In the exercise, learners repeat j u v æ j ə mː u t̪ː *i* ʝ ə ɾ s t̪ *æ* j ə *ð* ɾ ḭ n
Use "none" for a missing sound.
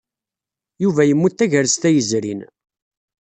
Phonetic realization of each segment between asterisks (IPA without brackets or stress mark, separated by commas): æ, æ, z